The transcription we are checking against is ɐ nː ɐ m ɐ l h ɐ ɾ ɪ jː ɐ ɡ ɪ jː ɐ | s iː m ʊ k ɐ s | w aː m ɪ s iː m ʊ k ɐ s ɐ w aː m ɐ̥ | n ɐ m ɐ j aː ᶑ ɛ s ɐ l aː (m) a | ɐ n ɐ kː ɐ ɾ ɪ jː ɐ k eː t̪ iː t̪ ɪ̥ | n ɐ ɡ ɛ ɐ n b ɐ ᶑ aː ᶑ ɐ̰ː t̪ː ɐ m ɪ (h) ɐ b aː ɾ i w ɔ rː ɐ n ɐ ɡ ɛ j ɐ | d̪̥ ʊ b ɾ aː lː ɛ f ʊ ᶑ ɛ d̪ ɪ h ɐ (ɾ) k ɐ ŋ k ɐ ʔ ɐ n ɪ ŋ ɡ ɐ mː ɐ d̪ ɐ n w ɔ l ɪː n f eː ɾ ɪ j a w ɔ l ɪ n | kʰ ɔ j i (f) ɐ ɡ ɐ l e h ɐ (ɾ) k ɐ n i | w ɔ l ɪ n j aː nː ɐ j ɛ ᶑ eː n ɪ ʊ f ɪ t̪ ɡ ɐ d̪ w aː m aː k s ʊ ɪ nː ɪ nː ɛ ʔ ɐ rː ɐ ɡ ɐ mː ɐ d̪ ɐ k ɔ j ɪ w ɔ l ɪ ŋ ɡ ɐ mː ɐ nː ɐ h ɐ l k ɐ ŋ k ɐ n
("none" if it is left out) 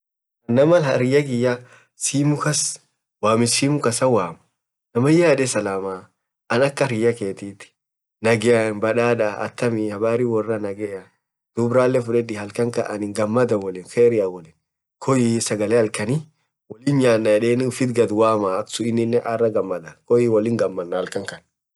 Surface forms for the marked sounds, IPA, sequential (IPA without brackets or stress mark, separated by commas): m, h, l, s, l